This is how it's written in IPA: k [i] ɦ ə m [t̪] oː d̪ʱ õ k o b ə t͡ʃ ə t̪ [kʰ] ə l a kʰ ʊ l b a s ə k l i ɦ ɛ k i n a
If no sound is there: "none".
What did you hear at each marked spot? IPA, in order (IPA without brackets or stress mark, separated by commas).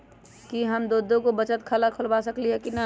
i, d̪, kʰ